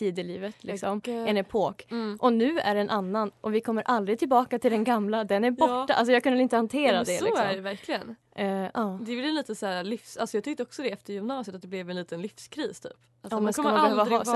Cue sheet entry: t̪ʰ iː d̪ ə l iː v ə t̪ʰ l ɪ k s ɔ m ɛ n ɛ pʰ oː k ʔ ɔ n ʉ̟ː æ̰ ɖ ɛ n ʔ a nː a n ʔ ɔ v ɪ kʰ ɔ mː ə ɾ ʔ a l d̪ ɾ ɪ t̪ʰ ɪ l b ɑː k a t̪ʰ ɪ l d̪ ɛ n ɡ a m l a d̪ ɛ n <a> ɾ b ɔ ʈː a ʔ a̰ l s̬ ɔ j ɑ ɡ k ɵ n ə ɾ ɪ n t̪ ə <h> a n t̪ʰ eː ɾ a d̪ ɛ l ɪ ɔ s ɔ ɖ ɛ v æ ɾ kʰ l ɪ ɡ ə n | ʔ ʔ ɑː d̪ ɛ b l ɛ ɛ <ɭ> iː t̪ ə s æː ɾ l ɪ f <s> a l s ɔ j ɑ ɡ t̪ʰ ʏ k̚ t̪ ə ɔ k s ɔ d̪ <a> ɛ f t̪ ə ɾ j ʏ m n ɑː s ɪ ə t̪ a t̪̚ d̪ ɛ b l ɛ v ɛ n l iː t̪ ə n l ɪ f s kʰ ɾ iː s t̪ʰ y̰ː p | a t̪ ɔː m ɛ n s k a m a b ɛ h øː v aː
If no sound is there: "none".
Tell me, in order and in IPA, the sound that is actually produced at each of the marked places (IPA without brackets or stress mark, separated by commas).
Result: æ, h, l, s, ɛ